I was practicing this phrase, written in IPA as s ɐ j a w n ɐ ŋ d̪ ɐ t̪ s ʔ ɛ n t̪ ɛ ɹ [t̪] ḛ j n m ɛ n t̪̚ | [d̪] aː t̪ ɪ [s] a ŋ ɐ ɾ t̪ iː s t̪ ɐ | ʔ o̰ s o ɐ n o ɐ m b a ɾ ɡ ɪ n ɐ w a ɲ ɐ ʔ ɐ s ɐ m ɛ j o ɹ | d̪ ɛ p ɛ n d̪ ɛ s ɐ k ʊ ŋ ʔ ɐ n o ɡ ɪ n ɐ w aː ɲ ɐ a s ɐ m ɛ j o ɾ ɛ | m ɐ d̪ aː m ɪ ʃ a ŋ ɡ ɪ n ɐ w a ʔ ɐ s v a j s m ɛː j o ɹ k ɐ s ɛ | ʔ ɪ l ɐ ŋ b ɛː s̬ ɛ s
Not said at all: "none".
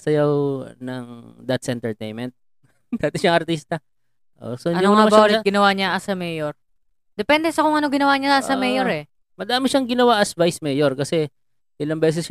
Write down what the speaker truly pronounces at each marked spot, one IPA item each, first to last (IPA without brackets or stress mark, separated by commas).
t̪, d̪, ʃ